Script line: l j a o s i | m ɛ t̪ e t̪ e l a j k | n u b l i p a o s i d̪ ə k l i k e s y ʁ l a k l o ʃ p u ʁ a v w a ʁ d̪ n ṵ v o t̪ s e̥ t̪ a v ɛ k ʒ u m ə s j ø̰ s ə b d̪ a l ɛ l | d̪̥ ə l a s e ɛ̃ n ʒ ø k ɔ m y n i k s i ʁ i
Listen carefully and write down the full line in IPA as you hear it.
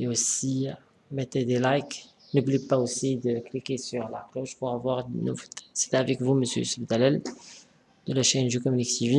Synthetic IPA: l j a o s i | m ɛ t̪ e d̪ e l a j k | n u b l i p a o s i d̪ ə k l i k e s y ʁ l a k l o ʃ p u ʁ a v w a ʁ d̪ n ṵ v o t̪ s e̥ t̪ a v ɛ k v u m ə s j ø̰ s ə b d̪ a l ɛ l | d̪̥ ə l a ʃ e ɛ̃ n ʒ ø k ɔ m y n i k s i v i